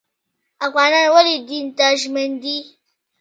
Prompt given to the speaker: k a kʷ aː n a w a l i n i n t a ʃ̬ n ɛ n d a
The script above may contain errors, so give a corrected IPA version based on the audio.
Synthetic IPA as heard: ʔ a kʷ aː n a w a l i d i n t a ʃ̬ m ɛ n d i